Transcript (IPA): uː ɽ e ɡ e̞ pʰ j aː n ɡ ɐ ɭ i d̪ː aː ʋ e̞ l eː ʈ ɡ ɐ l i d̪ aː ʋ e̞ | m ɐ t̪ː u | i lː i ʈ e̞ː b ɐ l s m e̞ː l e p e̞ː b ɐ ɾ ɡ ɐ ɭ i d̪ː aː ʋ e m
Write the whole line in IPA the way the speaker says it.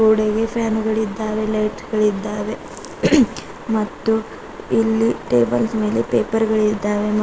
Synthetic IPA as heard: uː ɽ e ɡ e̞ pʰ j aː n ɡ ɐ ɭ i d̪ː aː ʋ e̞ l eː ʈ ɡ ɐ ɭ i d̪ː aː ʋ e̞ | m ɐ t̪ː u | i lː i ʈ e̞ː b ɐ l s m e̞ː l e p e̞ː p ɐ ɾ ɡ ɐ ɭ i d̪ː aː ʋ e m

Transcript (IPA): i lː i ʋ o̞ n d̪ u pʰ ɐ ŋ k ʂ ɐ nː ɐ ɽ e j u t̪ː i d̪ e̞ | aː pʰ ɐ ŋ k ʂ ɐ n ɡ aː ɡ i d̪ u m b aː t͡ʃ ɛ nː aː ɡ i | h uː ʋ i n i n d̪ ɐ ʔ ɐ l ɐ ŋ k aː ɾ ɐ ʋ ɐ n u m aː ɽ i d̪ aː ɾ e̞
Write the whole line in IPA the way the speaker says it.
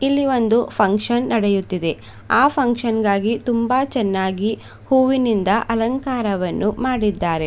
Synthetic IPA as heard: i lː i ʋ o̞ n d̪ u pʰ ɐ ŋ k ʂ ɐ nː ɐ ɽ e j u t̪ː i d̪ e̞ | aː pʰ ɐ ŋ k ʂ ɐ n ɡ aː ɡ i t̪ u m b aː t͡ʃ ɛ nː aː ɡ i | h uː ʋ i n i n d̪ ɐ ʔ ɐ l ɐ ŋ k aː ɾ ɐ ʋ ɐ nː u m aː ɽ i d̪ː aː ɾ e̞

